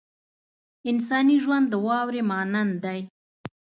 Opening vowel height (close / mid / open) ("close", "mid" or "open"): close